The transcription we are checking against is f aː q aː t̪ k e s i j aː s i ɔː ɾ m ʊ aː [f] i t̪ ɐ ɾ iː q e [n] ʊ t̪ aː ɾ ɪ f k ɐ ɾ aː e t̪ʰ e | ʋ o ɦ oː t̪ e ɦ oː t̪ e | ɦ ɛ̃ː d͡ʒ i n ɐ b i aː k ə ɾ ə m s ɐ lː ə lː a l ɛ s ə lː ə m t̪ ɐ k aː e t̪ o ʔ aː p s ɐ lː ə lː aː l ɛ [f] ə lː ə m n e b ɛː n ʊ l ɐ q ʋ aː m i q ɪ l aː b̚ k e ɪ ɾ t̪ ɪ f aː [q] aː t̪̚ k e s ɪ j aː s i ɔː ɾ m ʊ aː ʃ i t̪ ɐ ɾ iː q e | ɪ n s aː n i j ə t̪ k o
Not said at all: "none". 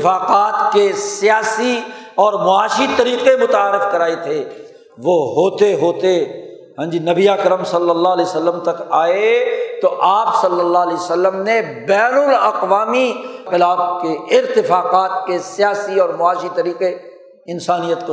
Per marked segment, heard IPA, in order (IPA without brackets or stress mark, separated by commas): ʃ, m, s, q